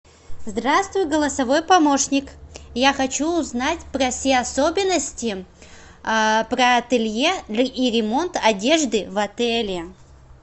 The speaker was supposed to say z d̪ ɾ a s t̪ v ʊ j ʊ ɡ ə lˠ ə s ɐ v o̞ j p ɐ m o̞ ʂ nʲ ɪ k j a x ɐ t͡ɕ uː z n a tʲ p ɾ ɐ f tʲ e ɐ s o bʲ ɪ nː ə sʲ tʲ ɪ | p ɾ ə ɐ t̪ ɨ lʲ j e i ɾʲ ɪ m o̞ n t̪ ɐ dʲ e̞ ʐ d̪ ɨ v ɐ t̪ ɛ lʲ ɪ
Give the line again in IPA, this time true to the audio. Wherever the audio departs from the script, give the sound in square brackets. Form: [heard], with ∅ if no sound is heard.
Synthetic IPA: z d̪ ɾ a s t̪ v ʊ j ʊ ɡ ə lˠ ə s ɐ v o̞ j p ɐ m o̞ ʂ nʲ ɪ k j a x ɐ t͡ɕ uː z n a tʲ p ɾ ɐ f [sʲ] e ɐ s o bʲ ɪ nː ə sʲ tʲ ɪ | p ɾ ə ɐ t̪ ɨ lʲ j e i ɾʲ ɪ m o̞ n t̪ ɐ dʲ e̞ ʐ d̪ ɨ v ɐ t̪ ɛ lʲ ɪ

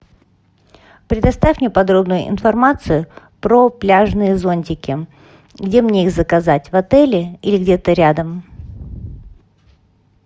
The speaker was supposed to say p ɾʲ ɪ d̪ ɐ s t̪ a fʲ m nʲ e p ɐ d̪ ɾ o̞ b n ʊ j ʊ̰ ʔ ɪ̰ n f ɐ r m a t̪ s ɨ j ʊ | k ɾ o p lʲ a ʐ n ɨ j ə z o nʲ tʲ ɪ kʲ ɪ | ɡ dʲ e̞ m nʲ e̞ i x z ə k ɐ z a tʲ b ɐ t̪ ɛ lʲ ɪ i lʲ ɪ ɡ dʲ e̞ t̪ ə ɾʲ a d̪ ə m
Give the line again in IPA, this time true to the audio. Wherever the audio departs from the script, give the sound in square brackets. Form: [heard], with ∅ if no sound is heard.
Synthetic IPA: p ɾʲ ɪ d̪ ɐ s t̪ a fʲ m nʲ e p ɐ d̪ ɾ o̞ b n ʊ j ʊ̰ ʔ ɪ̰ n f ɐ r m a t̪ s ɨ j ʊ | [p] ɾ o p lʲ a ʐ n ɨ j ə z o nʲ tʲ ɪ kʲ ɪ | ɡ dʲ e̞ m nʲ e̞ i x z ə k ɐ z a tʲ [v] ɐ t̪ ɛ lʲ ɪ i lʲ ɪ ɡ dʲ e̞ t̪ ə ɾʲ a d̪ ə m

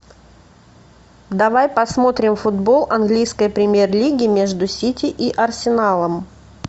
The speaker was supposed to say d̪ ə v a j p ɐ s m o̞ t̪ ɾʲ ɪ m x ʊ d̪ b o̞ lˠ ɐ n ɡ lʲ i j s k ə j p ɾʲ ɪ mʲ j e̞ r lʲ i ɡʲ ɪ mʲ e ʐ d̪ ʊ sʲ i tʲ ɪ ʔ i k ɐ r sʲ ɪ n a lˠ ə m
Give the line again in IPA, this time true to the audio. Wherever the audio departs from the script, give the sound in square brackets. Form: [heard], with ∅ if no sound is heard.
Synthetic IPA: d̪ [ɐ] v a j p ɐ s m o̞ t̪ ɾʲ ɪ m [f] ʊ d̪ b o̞ lˠ ɐ n ɡ lʲ i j s k ə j p ɾʲ ɪ mʲ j e̞ r lʲ i ɡʲ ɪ mʲ e ʐ d̪ ʊ sʲ i tʲ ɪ ʔ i [ʔ] ɐ r sʲ ɪ n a lˠ ə m

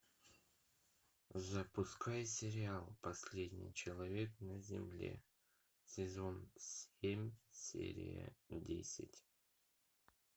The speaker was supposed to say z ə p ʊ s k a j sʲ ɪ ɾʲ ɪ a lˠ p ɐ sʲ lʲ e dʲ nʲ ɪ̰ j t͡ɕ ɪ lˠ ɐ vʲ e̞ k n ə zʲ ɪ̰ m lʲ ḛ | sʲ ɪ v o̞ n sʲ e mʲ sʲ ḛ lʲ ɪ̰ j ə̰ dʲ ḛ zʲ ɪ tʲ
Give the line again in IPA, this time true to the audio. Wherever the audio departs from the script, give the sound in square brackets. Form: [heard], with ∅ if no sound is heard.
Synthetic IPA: z ə p ʊ s k a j sʲ ɪ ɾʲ ɪ a lˠ p ɐ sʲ lʲ e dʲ nʲ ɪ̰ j t͡ɕ ɪ lˠ ɐ vʲ e̞ k n ə zʲ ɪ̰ m lʲ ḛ | sʲ ɪ [z] o̞ n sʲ e mʲ sʲ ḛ [ɾʲ] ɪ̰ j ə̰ dʲ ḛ [sʲ] ɪ tʲ

